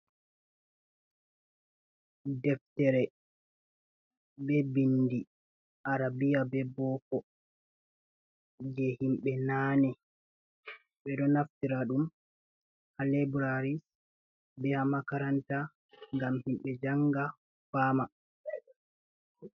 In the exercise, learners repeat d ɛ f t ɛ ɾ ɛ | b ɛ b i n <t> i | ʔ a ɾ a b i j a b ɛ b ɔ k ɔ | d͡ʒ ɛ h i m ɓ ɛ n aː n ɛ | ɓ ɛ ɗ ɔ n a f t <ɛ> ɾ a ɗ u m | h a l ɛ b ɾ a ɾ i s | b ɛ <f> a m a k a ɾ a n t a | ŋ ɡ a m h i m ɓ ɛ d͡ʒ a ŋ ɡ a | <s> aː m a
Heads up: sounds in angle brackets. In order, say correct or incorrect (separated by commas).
incorrect, incorrect, incorrect, incorrect